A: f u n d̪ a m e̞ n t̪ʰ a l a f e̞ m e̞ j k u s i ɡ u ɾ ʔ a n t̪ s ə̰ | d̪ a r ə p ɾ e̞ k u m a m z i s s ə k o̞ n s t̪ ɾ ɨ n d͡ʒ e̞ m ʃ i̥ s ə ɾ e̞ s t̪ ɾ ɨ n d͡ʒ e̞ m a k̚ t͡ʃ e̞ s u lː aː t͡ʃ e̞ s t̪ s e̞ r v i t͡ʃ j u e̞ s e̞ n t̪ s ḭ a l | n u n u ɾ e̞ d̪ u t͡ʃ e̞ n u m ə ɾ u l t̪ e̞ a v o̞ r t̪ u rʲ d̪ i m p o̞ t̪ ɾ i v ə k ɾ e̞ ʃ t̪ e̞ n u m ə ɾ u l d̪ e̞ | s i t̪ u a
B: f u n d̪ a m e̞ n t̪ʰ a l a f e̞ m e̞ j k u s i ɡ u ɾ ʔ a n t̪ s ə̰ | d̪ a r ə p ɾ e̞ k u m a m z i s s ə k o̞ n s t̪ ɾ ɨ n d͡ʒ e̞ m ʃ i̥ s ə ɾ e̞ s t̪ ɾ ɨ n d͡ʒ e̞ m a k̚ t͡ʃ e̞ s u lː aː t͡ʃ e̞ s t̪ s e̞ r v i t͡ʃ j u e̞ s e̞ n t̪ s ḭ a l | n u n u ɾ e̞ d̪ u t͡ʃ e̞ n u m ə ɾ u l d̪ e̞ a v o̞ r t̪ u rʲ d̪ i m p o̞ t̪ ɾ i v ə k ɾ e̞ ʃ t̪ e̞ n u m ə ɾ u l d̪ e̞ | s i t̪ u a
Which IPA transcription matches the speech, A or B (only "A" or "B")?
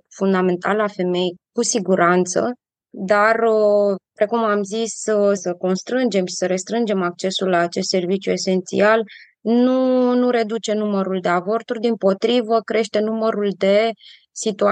B